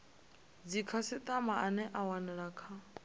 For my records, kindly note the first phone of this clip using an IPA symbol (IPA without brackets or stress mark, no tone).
d͡z